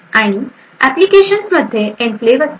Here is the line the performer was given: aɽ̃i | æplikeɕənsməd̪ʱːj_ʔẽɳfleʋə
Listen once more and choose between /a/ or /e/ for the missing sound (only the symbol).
e